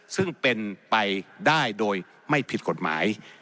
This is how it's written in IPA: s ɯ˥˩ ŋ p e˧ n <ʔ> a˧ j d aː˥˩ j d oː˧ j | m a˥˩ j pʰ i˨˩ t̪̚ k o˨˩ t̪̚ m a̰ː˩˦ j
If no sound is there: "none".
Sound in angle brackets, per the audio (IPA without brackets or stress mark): p